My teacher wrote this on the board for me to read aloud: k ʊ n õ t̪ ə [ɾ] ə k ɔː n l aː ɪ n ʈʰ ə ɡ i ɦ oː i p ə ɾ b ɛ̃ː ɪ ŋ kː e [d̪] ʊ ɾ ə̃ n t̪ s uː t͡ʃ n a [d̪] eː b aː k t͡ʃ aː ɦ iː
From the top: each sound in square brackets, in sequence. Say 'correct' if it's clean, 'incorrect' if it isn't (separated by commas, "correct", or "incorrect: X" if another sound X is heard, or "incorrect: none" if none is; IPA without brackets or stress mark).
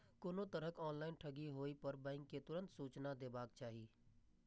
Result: correct, incorrect: t̪, correct